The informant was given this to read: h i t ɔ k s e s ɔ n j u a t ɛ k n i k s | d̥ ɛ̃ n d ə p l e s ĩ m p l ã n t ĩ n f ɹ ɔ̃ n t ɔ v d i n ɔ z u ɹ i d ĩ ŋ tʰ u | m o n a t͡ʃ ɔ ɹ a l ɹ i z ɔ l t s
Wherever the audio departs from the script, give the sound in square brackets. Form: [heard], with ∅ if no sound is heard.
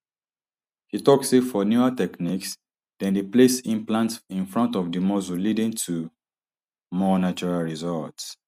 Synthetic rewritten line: h i t ɔ k s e [f] ɔ n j u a t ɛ k n i k s | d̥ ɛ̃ n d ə p l e s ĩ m p l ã n t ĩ n f ɹ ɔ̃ n t ɔ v d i [m] ɔ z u [l] i d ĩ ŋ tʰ u | m [ɔ] n a t͡ʃ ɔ ɹ a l ɹ i z ɔ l t s